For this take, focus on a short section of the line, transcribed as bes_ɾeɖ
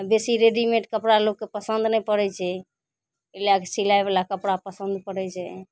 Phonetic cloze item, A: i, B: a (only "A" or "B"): A